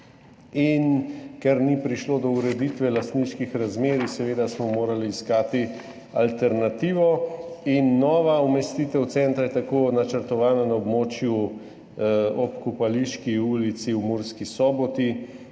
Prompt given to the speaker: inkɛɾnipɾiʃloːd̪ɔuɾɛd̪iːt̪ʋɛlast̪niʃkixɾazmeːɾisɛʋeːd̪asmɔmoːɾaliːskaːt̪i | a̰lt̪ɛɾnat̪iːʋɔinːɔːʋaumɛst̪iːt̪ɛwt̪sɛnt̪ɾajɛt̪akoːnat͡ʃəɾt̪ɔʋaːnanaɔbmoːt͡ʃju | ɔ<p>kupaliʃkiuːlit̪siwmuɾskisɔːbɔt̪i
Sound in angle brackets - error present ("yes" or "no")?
no